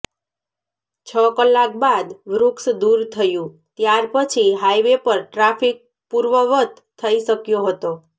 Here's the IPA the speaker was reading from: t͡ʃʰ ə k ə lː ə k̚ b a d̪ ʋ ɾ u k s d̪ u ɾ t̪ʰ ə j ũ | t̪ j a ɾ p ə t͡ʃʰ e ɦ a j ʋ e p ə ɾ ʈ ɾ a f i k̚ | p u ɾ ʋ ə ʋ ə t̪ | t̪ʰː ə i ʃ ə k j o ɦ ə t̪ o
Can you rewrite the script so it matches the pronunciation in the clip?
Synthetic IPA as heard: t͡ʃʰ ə k ə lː a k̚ b a d̪ ʋ ɾ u k s d̪ u ɾ t̪ʰ ə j ũ | t̪ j a ɾ p ə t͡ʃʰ i ɦ a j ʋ e p ə ɾ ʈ ɾ a f i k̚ | p u ɾ ʋ ə ʋ ə t̪ | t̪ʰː ə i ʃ ə k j o ɦ ə t̪ o